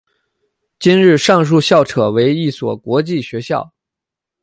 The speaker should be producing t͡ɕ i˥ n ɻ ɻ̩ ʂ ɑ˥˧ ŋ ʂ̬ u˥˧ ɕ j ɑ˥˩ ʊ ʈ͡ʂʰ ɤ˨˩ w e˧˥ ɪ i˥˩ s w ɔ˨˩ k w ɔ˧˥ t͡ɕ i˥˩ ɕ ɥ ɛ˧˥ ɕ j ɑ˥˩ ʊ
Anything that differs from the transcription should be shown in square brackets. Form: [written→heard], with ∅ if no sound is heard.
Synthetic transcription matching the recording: t͡ɕ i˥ n ɻ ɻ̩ ʂ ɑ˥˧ ŋ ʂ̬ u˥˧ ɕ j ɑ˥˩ ʊ ʈ͡ʂʰ ɤ˨˩ w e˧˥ ɪ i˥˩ s w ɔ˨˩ k w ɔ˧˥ t͡ɕ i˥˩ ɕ ɥ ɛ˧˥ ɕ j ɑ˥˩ ʊ

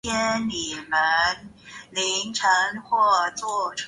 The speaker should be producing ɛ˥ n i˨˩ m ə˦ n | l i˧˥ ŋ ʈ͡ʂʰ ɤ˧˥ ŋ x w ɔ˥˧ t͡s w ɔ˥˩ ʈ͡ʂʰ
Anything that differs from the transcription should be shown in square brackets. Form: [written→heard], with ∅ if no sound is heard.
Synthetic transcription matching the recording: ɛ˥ n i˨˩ m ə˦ n | l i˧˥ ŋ ʈ͡ʂʰ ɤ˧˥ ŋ x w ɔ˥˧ t͡s w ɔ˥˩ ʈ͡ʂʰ

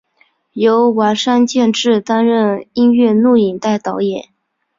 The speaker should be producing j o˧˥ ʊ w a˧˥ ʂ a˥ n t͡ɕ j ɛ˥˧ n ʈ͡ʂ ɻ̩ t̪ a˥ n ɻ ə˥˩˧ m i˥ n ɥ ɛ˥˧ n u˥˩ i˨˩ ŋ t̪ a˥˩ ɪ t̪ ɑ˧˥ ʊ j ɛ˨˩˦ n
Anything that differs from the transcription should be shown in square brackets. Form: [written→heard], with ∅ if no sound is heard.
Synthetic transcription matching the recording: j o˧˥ ʊ w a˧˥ ʂ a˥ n t͡ɕ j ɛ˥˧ n ʈ͡ʂ ɻ̩ t̪ a˥ n ɻ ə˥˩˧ [m→n] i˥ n ɥ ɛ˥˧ n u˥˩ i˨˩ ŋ t̪ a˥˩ ɪ t̪ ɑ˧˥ ʊ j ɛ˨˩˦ n

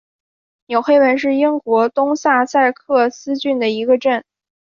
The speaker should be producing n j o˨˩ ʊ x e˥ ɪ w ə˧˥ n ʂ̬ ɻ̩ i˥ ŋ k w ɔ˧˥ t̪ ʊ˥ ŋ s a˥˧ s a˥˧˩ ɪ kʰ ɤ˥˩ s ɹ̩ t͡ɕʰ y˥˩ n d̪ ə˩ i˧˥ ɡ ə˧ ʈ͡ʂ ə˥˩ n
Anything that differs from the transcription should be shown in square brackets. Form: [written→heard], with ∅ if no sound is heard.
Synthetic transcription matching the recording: n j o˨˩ ʊ x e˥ ɪ w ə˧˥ n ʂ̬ ɻ̩ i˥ ŋ k w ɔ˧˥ t̪ ʊ˥ ŋ s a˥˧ s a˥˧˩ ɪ kʰ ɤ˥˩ s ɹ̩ [t͡ɕʰ→t͡ɕ] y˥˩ n d̪ ə˩ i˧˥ ɡ ə˧ ʈ͡ʂ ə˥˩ n

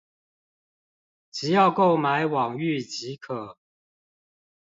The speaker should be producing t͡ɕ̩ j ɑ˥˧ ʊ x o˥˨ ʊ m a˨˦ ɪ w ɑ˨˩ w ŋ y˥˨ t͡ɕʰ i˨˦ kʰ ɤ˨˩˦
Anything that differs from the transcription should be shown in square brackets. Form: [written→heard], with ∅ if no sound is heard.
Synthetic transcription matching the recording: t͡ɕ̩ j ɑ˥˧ ʊ [x→k] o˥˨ ʊ m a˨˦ ɪ w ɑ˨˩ [w→∅] ŋ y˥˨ [t͡ɕʰ→t͡ɕ] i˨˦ kʰ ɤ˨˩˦

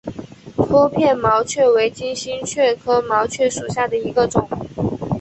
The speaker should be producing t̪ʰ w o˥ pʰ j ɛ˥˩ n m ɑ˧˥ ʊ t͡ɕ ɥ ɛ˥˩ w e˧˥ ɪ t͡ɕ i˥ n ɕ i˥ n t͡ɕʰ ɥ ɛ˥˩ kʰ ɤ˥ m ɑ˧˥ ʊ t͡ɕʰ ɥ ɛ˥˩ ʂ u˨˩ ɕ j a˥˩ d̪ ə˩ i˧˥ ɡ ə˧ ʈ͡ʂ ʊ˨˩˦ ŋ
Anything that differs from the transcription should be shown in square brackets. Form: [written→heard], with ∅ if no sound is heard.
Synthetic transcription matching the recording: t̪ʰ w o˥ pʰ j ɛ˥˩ n m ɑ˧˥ ʊ [t͡ɕ→t͡ɕʰ] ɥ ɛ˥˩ w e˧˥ ɪ t͡ɕ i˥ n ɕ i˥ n t͡ɕʰ ɥ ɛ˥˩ kʰ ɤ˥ m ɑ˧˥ ʊ t͡ɕʰ ɥ ɛ˥˩ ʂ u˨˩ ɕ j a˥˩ d̪ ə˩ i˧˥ ɡ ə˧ ʈ͡ʂ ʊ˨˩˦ ŋ

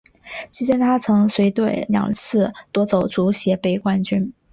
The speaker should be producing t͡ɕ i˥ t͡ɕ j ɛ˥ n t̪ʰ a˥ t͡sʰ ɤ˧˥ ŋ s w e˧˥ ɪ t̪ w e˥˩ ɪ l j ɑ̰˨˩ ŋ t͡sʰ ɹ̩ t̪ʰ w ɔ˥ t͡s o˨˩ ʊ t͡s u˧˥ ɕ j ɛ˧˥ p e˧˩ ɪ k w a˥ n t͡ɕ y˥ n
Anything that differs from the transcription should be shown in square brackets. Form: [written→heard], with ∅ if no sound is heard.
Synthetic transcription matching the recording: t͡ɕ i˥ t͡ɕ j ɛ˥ n t̪ʰ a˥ t͡sʰ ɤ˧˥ ŋ s w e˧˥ ɪ t̪ w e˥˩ ɪ l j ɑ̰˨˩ ŋ t͡sʰ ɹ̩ [t̪ʰ→t̪] w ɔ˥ t͡s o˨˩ ʊ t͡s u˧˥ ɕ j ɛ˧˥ p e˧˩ ɪ k w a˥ n t͡ɕ y˥ n

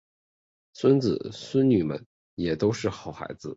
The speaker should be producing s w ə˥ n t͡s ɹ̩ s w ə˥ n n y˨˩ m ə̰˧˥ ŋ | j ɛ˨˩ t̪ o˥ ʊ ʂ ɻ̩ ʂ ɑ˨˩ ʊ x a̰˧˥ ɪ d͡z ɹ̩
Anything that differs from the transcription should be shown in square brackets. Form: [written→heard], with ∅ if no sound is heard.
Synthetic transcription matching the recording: s w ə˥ n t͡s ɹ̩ s w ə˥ n n y˨˩ m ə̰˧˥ [ŋ→n] | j ɛ˨˩ t̪ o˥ ʊ ʂ ɻ̩ [ʂ→x] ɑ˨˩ ʊ x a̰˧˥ ɪ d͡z ɹ̩

